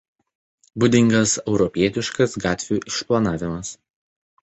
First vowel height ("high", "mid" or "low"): high